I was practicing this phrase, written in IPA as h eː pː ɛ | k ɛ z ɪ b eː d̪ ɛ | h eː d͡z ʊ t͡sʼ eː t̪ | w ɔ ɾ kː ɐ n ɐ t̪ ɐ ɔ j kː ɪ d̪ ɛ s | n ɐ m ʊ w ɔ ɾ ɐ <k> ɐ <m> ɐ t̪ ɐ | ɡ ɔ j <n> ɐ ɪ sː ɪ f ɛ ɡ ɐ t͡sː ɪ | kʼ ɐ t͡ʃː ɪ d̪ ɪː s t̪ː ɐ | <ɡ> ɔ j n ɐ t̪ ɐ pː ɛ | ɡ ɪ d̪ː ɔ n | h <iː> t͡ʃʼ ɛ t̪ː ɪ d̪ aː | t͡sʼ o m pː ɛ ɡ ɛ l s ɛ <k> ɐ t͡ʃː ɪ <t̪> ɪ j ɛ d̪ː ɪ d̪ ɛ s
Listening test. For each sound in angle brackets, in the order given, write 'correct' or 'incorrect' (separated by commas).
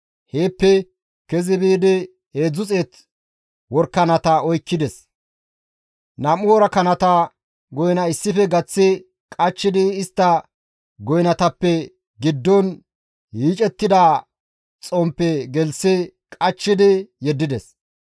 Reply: correct, incorrect, correct, correct, correct, incorrect, incorrect